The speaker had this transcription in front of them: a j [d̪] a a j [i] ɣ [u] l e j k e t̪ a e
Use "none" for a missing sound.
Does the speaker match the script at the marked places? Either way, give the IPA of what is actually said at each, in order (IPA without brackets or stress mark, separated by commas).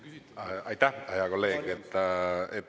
t̪, a, o